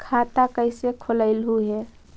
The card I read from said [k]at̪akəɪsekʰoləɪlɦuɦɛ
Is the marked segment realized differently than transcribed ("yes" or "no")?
yes